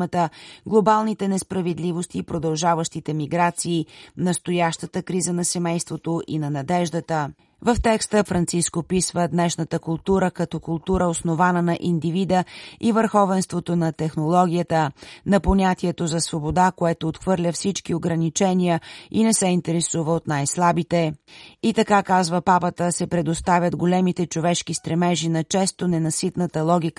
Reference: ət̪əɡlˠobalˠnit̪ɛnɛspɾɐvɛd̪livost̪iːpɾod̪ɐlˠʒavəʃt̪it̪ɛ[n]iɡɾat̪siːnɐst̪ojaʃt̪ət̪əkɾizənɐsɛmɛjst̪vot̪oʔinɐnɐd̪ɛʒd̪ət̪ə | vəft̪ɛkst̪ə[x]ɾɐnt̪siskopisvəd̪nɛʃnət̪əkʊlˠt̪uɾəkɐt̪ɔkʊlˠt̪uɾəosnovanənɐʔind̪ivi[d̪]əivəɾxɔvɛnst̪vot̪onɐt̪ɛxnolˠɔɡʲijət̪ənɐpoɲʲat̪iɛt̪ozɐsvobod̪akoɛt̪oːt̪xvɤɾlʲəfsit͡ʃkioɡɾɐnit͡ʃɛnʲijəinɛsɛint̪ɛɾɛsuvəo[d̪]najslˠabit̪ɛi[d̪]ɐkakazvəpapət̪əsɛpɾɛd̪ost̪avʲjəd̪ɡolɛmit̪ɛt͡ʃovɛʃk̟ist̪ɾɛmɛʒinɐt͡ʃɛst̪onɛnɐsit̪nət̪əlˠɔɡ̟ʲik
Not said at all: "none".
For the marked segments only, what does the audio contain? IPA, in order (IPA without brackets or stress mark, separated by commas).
m, f, d̪, t̪, t̪